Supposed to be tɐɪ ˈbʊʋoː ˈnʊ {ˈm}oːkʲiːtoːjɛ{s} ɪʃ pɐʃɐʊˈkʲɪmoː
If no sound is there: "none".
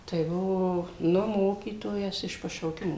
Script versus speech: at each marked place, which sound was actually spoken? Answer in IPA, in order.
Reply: m, s

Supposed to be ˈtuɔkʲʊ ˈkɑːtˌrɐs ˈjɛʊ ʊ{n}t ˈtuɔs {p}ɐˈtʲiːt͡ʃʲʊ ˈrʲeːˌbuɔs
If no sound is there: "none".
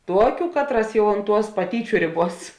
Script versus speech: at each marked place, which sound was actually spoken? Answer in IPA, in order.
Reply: n, p

